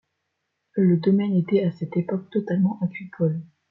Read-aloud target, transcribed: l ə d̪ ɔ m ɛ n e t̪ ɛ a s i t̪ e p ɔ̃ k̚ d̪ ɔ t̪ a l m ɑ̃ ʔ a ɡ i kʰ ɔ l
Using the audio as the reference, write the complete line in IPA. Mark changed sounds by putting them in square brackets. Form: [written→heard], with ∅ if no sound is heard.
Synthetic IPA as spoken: l ə d̪ ɔ m ɛ n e t̪ ɛ a s [i→ɛ] t̪ e p [ɔ̃→ɔ] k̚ [d̪→t̪] ɔ t̪ a l m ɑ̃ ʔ a ɡ i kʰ ɔ l